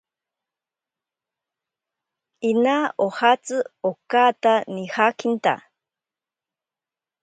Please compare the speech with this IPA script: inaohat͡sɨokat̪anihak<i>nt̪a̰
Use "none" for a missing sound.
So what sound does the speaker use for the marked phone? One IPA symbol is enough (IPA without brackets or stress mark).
i